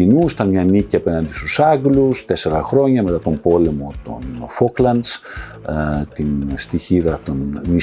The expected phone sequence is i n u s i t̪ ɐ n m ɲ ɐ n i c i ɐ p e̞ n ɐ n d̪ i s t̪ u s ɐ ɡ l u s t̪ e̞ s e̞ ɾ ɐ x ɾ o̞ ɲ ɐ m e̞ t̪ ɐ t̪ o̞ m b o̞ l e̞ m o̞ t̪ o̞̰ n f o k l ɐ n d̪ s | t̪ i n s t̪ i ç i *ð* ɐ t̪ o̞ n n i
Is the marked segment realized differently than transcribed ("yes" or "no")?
no